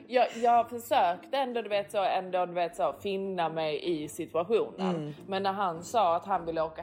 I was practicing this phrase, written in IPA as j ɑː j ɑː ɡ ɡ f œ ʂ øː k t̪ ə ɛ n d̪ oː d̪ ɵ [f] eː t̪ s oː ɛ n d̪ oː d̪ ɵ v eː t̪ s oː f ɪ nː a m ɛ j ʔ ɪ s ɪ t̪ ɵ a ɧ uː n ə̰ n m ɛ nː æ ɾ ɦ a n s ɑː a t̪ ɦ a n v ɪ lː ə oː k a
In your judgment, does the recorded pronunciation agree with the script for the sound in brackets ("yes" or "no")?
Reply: no